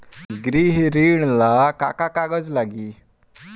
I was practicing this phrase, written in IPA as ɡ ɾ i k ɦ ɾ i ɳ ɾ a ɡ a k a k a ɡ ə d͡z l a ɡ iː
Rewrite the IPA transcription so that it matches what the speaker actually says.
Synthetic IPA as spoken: ɡ ɾ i ɦ ɾ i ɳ l a k a k a k a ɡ ə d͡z l a ɡ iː